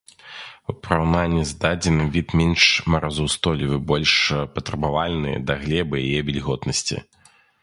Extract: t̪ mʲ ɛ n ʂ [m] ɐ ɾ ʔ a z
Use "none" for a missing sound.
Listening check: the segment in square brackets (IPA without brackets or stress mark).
m